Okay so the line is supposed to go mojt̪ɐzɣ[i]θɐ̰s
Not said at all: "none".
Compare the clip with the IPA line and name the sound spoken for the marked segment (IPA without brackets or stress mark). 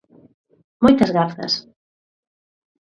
a